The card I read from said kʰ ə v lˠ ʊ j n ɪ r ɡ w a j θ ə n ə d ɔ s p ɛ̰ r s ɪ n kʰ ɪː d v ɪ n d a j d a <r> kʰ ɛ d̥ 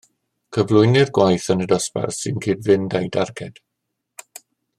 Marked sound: correct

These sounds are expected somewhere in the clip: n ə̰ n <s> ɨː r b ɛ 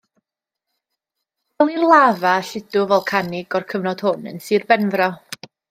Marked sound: correct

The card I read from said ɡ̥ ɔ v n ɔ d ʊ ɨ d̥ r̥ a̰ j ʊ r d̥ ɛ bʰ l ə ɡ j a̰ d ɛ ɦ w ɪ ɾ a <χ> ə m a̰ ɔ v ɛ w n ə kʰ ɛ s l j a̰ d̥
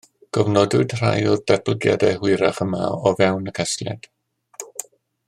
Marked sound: correct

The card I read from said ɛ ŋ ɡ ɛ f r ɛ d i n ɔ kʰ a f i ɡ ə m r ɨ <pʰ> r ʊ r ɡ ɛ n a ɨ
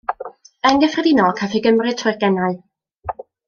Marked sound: incorrect: tʰ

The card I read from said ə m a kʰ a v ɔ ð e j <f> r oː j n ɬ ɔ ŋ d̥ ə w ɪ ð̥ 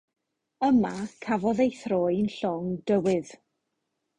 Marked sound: incorrect: θ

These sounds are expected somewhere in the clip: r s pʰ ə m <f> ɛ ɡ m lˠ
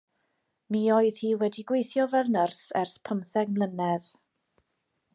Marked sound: incorrect: θ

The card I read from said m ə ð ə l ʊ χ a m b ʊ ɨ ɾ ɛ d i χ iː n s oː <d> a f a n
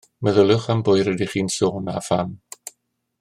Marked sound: incorrect: n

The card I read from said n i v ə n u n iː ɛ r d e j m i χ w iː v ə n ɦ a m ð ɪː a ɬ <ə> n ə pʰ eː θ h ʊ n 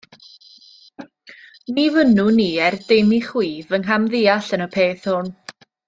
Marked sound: correct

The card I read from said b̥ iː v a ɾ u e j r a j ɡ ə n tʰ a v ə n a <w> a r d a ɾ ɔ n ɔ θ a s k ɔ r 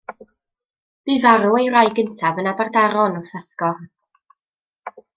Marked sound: incorrect: b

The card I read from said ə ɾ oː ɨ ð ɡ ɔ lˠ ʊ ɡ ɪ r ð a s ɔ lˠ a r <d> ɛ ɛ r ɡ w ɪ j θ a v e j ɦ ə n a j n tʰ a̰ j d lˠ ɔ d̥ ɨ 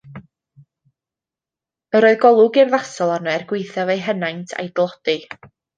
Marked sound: incorrect: n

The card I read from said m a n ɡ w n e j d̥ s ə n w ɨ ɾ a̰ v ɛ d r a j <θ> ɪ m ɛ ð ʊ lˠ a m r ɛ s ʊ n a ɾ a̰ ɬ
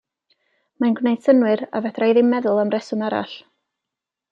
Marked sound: incorrect: ð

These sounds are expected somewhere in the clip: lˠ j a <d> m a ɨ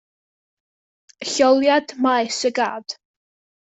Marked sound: correct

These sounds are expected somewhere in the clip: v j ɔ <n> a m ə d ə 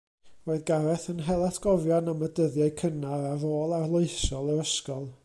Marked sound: correct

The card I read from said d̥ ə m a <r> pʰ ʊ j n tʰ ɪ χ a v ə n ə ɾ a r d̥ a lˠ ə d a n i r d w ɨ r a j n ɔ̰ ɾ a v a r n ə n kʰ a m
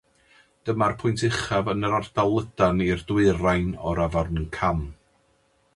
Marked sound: correct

